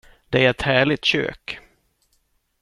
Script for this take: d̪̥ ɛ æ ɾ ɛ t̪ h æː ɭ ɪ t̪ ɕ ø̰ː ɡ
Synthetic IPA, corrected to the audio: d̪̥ ɛ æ ɾ ɛ t̪ h æː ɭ ɪ t̪ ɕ ø̰ː k